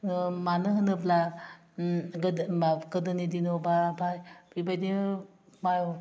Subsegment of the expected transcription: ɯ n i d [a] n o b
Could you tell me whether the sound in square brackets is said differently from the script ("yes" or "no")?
yes